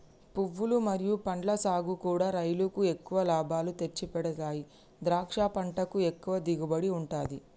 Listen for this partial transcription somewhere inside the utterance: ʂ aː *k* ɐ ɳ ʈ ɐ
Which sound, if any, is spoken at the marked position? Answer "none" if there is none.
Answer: p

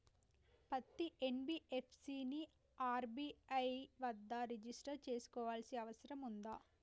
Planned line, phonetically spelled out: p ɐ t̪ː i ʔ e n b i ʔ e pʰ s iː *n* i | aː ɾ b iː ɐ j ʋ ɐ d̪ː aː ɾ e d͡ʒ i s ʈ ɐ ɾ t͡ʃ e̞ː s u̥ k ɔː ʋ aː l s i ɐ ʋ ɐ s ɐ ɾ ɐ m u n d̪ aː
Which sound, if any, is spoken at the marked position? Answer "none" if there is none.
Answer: n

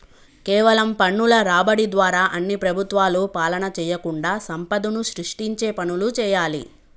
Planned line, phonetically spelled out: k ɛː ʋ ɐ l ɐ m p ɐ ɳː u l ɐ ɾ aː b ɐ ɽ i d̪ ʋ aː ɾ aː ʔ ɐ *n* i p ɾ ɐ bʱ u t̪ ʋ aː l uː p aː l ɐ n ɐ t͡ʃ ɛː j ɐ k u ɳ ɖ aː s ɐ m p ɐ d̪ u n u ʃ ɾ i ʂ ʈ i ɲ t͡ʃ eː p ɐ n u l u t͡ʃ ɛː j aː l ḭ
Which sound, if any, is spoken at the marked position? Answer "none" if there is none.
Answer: nː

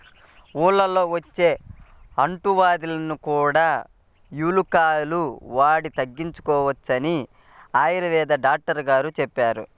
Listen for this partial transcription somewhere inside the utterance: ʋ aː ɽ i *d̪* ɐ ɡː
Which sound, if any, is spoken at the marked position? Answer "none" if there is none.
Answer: t̪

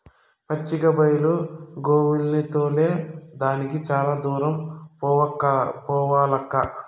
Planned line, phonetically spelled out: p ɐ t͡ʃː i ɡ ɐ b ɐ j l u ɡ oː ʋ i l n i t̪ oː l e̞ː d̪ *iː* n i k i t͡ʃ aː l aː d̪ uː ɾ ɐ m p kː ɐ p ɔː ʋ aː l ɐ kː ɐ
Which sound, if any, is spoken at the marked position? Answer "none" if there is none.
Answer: aː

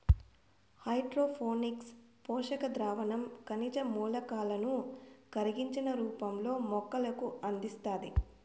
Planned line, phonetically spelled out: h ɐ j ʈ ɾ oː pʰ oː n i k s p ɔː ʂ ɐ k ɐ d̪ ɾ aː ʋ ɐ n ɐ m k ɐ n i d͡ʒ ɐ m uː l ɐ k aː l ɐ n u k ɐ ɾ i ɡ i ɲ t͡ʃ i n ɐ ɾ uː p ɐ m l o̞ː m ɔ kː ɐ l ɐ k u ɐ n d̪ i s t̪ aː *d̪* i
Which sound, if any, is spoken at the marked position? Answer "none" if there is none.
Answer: d̪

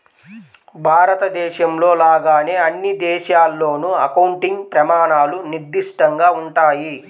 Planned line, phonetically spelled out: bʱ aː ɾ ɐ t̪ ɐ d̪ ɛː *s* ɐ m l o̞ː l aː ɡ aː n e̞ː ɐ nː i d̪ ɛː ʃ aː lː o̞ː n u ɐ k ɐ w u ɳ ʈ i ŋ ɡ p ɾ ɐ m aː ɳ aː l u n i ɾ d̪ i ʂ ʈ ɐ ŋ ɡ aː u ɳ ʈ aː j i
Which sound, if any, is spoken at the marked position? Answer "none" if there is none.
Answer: ʃ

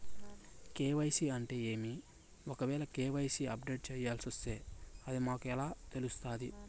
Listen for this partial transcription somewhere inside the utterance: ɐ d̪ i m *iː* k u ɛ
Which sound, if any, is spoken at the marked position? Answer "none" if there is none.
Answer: aː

